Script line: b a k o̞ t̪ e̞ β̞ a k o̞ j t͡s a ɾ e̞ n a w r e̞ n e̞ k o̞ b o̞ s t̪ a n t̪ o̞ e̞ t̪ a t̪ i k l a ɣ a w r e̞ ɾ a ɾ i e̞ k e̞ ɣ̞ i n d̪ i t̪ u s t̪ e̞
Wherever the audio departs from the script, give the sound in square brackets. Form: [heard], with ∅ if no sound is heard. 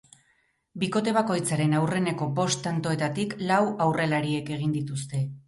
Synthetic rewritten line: b [i] k o̞ t̪ e̞ β̞ a k o̞ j t͡s a ɾ e̞ n a w r e̞ n e̞ k o̞ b o̞ s t̪ a n t̪ o̞ e̞ t̪ a t̪ i k l a [w] a w r e̞ [l] a ɾ i e̞ k e̞ ɣ̞ i n d̪ i t̪ u s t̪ e̞

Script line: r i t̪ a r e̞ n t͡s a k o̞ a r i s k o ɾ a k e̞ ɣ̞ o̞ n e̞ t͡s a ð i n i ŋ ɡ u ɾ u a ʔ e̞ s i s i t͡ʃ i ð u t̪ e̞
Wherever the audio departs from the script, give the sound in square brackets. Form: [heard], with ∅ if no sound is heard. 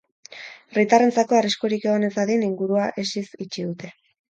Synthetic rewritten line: r i t̪ a r e̞ n t͡s a k o̞ a r i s k o ɾ [i] k e̞ ɣ̞ o̞ n e̞ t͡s a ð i n i ŋ ɡ u ɾ u a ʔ e̞ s i s i t͡ʃ i ð u t̪ e̞

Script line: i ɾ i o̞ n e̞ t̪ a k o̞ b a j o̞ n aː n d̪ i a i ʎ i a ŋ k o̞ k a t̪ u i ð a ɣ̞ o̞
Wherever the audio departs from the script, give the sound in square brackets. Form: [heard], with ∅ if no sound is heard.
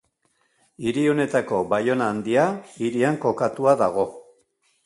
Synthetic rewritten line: i ɾ i o̞ n e̞ t̪ a k o̞ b a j o̞ n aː n d̪ i a i [ɾ] i a ŋ k o̞ k a t̪ u [a] ð a ɣ̞ o̞

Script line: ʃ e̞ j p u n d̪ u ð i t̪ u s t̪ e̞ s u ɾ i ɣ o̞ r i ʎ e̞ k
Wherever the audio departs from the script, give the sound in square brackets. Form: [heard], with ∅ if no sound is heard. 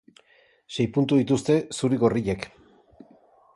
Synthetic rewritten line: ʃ e̞ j p u n [t̪] u ð i t̪ u s t̪ e̞ s u ɾ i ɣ o̞ r i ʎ e̞ k

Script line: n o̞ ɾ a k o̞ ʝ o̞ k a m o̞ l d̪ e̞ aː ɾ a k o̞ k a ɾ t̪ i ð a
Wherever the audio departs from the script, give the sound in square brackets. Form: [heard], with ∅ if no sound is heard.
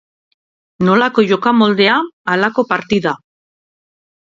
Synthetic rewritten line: n o̞ [l] a k o̞ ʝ o̞ k a m o̞ l d̪ e̞ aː [l] a k o̞ [p] a ɾ t̪ i ð a

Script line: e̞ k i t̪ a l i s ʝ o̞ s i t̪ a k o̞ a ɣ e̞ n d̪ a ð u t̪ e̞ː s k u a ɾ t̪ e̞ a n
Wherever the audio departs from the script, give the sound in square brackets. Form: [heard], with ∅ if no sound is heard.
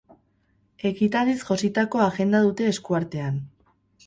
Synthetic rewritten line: e̞ k i t̪ a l i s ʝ o̞ s i t̪ a k o̞ a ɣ e̞ n d̪ a ð u t̪ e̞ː s k u a ɾ t̪ e̞ a n

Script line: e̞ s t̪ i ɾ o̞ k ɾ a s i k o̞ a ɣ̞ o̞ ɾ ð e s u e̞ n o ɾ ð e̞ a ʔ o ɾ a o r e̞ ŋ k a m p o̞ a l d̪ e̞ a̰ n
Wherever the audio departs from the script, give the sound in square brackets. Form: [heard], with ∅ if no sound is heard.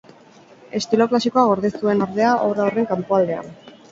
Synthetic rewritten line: e̞ s t̪ i [l] o̞ k [l] a s i k o̞ a ɣ̞ o̞ ɾ ð e s u e̞ n o ɾ ð e̞ a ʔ o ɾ a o r e̞ ŋ k a m p o̞ a l d̪ e̞ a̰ n

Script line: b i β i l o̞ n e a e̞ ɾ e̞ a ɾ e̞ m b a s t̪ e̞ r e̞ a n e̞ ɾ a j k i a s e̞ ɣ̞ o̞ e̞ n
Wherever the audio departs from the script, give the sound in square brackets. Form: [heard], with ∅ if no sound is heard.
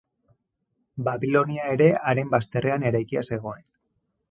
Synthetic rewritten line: b [a] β i l o̞ n [i] a e̞ ɾ e̞ a ɾ e̞ m b a s t̪ e̞ r e̞ a n e̞ ɾ a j k i a s e̞ ɣ̞ o̞ e̞ n

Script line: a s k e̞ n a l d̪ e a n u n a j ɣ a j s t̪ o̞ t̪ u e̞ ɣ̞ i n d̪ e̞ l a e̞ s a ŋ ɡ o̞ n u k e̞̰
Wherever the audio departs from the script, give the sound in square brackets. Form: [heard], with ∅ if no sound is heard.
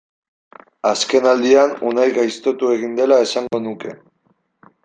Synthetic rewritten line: a s k e̞ n a l d̪ [i] a n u n a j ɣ a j s t̪ o̞ t̪ u e̞ ɣ̞ i n d̪ e̞ l a e̞ s a ŋ ɡ o̞ n u k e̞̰

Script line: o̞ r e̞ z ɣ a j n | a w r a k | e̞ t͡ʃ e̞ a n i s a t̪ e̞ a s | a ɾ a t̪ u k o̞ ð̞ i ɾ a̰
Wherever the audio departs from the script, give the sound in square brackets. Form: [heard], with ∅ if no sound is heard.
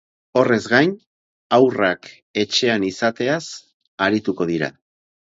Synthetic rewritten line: o̞ r e̞ z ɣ a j n | a w r a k | e̞ t͡ʃ e̞ a n i s a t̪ e̞ a s | a ɾ [i] t̪ u k o̞ ð̞ i ɾ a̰

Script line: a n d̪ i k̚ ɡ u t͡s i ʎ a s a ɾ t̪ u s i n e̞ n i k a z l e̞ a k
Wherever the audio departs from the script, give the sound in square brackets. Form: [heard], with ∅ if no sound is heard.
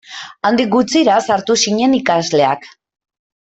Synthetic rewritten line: a n d̪ i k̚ ɡ u t͡s i [ɾ] a s a ɾ t̪ u s i [ɲ] e̞ n i k a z l e̞ a k

